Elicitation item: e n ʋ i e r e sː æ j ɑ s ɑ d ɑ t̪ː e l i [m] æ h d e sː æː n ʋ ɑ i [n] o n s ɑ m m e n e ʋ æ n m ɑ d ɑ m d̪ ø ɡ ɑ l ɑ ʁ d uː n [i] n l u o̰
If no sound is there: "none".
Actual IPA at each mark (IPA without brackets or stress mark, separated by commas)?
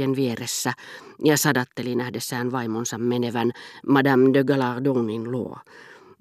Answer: n, m, i